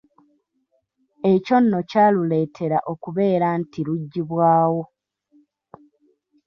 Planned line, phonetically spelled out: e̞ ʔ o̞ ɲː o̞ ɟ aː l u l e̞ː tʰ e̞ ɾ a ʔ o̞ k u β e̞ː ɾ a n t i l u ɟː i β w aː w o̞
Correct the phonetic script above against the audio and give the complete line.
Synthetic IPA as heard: e̞ c o̞ nː o̞ c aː l u l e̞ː tʰ e̞ ɾ a ʔ o̞ k u β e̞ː ɾ a n t i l u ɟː i β w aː w o̞